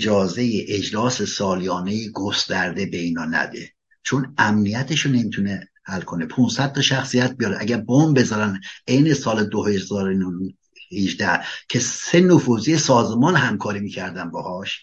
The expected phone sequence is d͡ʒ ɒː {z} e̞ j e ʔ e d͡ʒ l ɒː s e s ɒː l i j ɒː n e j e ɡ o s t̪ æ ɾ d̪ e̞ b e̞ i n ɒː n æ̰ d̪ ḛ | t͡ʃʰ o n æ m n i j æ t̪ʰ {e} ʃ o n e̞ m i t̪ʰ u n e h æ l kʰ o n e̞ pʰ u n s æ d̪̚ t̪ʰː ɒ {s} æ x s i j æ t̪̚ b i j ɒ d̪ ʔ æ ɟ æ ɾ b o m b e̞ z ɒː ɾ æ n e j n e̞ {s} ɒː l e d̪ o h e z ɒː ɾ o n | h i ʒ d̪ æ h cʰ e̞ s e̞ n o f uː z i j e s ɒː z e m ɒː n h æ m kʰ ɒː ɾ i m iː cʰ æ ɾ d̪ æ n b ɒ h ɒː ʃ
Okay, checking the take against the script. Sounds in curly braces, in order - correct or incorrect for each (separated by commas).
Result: correct, correct, incorrect, correct